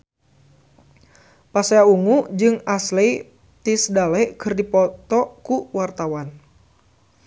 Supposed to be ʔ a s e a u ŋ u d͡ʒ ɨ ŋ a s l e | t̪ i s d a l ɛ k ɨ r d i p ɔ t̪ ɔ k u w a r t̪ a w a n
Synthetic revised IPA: p a s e a u ŋ u d͡ʒ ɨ ŋ a s l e | t̪ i s d a l ɛ k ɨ r d i p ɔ t̪ ɔ k u w a r t̪ a w a n